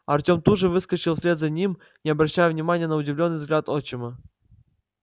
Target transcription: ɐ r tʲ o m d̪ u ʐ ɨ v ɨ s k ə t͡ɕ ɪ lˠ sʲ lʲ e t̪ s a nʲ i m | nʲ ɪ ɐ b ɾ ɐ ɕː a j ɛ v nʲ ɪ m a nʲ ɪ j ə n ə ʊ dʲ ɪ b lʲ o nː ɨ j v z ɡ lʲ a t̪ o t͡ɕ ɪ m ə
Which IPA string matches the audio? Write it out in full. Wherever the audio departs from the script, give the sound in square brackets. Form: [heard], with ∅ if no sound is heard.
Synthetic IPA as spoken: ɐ r tʲ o m [t̪] u ʐ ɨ v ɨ s k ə t͡ɕ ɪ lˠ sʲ lʲ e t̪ [z] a nʲ i m | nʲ ɪ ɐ b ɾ ɐ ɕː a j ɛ v nʲ ɪ m a nʲ ɪ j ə n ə ʊ dʲ ɪ [v] lʲ o nː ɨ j v z ɡ lʲ a t̪ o t͡ɕ ɪ m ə